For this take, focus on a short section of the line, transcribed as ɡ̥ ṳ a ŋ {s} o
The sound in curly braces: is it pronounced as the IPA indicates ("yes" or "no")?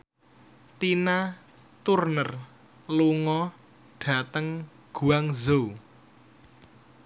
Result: no